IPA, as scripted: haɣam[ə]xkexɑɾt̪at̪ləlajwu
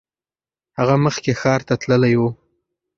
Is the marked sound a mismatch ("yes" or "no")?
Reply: no